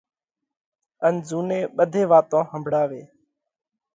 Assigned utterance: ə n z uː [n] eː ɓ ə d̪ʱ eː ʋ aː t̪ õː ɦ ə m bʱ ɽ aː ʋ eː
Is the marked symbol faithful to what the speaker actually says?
yes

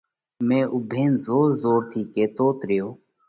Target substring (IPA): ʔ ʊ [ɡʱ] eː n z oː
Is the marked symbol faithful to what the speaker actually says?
no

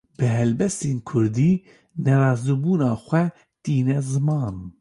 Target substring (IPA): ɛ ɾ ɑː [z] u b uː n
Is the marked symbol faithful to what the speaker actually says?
yes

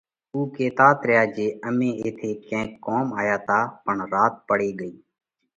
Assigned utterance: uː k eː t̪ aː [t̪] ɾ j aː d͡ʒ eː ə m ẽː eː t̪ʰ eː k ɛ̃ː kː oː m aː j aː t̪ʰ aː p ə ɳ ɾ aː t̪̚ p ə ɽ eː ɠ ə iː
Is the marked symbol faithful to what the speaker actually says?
yes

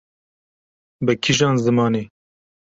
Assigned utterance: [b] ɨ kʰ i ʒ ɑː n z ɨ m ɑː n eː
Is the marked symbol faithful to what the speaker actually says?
yes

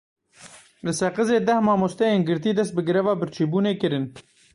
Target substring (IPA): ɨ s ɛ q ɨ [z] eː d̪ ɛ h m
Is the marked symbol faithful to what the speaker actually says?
yes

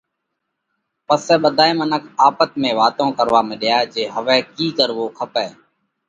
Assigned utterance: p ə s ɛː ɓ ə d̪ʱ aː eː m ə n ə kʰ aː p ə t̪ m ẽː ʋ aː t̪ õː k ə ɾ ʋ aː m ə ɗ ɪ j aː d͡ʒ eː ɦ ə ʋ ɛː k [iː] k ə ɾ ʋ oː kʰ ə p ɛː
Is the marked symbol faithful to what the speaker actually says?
yes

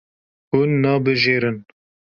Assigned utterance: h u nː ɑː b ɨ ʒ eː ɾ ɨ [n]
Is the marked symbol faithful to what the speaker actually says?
yes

